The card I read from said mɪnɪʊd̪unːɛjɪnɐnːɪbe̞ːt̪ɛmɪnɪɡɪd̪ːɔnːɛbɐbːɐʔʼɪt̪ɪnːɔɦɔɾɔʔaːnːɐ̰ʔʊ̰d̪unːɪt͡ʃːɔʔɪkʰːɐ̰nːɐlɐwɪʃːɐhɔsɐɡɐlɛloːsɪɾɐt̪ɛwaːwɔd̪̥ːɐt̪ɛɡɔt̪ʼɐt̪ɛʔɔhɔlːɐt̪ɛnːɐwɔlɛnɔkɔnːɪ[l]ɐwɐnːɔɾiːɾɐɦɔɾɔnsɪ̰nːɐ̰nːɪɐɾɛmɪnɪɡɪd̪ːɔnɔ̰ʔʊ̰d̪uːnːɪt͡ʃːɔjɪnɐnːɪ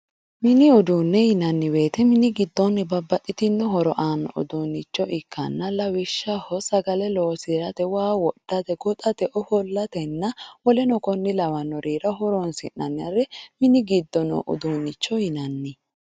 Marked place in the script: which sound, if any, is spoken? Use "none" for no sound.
l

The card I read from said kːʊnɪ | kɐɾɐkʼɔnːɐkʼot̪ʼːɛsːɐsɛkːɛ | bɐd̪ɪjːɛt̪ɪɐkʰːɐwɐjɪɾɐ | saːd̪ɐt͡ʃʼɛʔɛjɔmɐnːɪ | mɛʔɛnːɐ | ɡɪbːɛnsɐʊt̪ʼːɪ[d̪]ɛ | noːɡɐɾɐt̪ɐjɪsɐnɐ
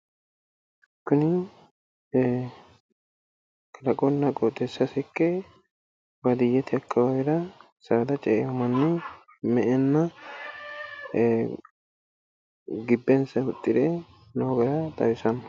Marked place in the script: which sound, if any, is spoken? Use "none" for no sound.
d̪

